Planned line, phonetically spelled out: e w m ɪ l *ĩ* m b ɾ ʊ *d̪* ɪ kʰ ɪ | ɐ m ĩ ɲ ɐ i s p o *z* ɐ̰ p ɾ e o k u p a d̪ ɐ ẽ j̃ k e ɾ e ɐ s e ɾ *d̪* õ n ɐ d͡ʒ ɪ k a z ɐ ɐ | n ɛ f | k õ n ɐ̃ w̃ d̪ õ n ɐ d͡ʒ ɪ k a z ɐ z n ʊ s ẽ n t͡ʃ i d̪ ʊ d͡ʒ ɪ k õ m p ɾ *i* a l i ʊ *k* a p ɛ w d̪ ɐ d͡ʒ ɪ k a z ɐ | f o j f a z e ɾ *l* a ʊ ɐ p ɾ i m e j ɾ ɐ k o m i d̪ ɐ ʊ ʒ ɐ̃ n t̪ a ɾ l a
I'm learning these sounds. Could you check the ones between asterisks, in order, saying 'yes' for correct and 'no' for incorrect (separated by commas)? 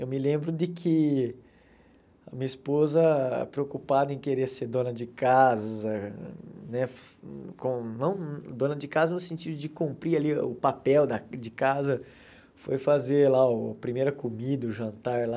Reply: no, yes, yes, yes, yes, no, yes